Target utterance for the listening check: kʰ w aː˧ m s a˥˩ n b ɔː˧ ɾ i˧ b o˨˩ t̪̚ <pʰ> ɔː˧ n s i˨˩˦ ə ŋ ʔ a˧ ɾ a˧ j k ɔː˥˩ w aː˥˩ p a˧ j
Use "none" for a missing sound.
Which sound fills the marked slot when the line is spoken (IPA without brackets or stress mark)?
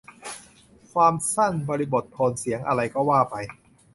pʰ